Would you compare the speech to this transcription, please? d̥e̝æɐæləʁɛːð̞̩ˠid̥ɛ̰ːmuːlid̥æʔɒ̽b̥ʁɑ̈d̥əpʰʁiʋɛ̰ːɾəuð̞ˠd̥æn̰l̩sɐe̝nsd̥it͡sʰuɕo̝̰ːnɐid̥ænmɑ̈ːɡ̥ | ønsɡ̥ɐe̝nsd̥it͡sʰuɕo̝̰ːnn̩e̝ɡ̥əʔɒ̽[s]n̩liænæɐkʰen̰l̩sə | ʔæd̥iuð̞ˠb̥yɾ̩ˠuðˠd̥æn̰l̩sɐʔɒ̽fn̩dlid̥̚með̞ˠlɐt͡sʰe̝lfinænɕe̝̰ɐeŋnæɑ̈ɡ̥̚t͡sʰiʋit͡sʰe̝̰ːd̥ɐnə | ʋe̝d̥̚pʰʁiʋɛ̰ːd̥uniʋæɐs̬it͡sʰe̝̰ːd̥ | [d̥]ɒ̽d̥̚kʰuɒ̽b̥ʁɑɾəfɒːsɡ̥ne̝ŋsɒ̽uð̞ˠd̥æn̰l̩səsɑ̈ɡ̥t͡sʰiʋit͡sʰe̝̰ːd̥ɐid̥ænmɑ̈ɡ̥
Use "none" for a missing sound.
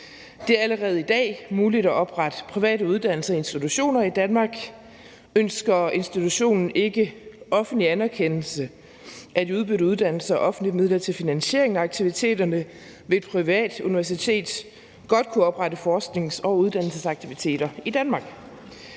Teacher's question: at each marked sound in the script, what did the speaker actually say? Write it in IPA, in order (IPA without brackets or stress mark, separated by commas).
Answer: f, ɡ̥